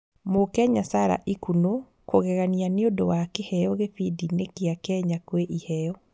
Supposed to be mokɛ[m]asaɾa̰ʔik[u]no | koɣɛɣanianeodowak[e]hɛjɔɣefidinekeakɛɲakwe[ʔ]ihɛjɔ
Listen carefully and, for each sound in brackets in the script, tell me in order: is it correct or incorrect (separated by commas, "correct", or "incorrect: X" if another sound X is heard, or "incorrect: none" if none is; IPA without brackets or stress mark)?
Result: incorrect: ɲ, correct, correct, correct